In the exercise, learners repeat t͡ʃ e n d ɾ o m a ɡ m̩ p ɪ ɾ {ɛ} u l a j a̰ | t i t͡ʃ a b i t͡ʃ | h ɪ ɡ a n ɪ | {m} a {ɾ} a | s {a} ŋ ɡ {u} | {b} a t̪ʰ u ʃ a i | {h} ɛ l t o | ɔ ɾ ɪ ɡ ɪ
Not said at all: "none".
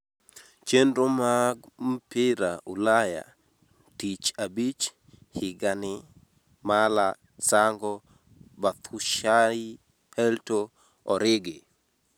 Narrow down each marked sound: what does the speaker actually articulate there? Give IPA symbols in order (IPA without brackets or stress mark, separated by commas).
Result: a, m, l, a, ɔ, b, h